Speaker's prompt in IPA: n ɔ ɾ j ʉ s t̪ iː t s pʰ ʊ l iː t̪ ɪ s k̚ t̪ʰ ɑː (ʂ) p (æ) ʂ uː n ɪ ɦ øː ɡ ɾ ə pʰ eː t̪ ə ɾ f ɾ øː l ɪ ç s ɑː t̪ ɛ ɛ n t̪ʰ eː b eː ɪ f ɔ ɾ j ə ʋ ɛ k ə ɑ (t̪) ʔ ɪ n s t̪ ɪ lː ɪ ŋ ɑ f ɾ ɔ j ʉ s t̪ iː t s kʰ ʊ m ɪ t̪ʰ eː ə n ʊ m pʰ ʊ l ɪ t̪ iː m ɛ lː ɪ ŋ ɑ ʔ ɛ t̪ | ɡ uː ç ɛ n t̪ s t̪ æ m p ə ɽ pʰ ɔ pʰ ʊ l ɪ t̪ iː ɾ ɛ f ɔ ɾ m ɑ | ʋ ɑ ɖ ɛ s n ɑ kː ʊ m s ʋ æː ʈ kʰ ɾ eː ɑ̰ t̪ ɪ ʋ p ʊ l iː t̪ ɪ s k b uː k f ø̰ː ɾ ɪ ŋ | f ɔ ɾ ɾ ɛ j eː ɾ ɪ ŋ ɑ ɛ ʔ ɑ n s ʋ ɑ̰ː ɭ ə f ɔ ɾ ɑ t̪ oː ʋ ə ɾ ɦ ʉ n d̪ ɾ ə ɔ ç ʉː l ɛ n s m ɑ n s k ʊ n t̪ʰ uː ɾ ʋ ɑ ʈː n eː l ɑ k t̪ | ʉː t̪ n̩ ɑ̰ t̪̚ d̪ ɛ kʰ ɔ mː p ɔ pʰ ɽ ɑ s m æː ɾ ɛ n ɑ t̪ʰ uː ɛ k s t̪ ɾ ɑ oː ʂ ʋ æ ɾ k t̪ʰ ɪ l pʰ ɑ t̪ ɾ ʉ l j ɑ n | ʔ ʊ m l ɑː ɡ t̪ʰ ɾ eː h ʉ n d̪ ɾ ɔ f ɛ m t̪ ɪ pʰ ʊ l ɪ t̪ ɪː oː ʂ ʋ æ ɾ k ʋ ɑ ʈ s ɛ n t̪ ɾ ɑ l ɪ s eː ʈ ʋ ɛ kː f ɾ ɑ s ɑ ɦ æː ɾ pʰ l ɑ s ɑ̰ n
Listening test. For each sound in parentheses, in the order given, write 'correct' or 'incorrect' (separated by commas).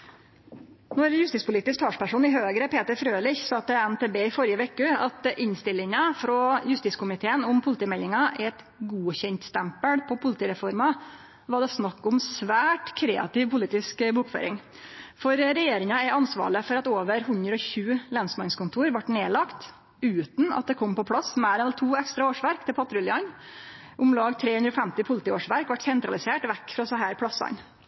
correct, correct, correct